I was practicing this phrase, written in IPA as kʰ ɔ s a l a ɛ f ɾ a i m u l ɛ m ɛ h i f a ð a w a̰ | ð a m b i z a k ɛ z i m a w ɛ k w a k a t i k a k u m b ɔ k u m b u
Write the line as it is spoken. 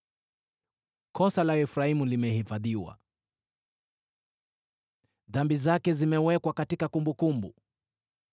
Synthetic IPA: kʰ ɔ s a l a ɛ f ɾ a i m u l i m ɛ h i f a ð i w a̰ | ð a m b i z a k ɛ z i m ɛ w ɛ k w a k a t i k a k u m b u k u m b u